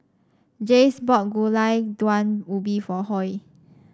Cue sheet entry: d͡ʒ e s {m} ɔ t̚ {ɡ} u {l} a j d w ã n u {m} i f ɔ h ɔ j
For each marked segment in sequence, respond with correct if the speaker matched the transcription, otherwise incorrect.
incorrect, correct, correct, incorrect

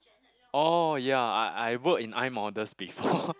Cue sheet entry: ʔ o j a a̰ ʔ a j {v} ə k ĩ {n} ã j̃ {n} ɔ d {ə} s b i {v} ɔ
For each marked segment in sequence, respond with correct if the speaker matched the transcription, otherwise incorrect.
incorrect, correct, incorrect, correct, incorrect

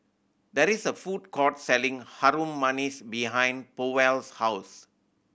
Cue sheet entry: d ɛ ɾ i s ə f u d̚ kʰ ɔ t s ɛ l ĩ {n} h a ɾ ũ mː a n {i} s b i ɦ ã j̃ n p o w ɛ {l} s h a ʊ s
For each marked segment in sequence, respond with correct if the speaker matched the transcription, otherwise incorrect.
incorrect, correct, correct

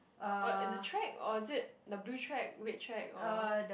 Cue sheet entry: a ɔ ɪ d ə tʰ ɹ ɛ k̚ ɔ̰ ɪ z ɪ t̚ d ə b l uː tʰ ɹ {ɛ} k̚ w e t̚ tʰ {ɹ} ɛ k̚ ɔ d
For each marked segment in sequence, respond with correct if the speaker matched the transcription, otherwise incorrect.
correct, correct

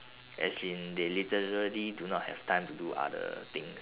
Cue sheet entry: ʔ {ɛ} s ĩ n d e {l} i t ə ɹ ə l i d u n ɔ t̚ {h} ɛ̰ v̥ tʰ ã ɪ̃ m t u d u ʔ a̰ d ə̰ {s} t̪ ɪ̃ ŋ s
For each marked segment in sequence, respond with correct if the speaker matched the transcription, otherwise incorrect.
correct, correct, correct, incorrect

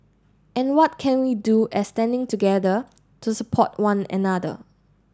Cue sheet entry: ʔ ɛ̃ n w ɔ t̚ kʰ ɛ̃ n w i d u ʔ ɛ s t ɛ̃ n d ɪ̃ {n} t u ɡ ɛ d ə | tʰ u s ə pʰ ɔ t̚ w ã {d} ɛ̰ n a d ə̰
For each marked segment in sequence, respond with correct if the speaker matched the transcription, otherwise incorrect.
incorrect, incorrect

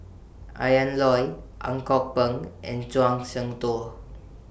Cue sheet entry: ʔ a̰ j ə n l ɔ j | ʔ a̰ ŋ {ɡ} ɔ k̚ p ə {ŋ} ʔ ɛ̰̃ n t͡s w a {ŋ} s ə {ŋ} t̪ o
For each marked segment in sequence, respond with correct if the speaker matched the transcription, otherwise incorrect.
incorrect, correct, correct, correct

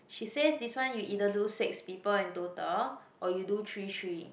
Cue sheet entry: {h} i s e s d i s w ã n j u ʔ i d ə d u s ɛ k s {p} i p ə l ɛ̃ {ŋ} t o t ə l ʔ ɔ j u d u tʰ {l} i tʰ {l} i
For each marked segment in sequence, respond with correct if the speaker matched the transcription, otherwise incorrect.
incorrect, correct, incorrect, incorrect, incorrect

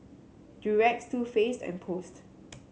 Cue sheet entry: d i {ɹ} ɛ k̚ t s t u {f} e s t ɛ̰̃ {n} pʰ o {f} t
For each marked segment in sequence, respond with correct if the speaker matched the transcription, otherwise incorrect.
correct, correct, correct, incorrect

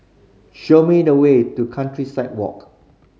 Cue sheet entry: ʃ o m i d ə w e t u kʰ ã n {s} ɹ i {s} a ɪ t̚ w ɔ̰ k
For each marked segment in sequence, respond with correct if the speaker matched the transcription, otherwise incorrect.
incorrect, correct

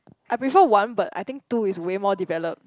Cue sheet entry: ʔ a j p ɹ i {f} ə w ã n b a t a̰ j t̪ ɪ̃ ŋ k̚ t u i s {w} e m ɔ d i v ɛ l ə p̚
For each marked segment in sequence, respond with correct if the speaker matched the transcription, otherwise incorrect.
correct, correct

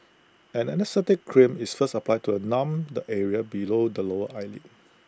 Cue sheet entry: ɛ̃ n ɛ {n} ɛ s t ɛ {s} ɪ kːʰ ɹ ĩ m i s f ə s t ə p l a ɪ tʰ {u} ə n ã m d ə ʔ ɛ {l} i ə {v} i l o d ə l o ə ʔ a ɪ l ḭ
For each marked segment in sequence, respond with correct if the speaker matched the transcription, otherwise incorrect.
correct, incorrect, correct, incorrect, incorrect

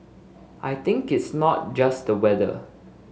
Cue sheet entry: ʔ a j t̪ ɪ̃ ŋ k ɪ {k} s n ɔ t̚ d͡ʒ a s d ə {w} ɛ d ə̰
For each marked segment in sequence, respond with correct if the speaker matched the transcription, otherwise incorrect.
incorrect, correct

